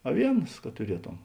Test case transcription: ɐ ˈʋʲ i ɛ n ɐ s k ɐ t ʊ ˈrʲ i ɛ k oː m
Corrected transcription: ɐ ˈʋʲ i ɛ n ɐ s k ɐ t ʊ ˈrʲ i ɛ t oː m